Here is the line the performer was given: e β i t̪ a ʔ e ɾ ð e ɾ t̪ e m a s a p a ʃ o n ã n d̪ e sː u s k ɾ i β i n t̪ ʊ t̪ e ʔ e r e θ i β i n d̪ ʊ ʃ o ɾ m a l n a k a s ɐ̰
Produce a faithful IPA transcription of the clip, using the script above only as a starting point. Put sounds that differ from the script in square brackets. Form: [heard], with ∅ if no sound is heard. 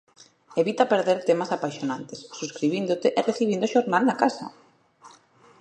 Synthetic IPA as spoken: e β i t̪ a [p] e ɾ ð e ɾ t̪ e m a s a p a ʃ o n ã n [t̪] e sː u s k ɾ i β i n [d̪] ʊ t̪ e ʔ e r e θ i β i n d̪ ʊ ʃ o ɾ [n] a l n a k a s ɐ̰